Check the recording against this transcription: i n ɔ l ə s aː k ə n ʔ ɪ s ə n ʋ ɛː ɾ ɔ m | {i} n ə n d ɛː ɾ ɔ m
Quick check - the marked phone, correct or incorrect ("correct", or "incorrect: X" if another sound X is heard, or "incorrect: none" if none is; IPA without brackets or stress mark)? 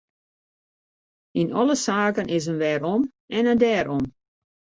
incorrect: ɛ